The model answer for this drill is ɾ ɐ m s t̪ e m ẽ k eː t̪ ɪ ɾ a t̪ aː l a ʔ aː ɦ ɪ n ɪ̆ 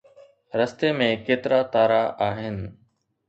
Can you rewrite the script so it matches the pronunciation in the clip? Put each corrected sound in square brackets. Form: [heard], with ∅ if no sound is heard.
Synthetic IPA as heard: ɾ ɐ [∅] s t̪ e m ẽ k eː t̪ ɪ ɾ a t̪ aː [ɾ] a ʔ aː ɦ ɪ n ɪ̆